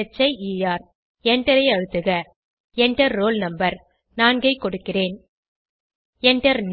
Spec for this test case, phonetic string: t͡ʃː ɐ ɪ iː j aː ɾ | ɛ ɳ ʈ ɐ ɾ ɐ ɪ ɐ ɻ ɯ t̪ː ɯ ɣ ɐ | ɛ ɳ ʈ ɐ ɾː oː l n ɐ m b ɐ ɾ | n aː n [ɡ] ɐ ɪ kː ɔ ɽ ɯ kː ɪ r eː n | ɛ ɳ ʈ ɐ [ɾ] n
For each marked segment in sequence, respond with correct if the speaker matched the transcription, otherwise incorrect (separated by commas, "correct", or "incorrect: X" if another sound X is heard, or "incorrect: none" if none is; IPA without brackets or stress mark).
correct, correct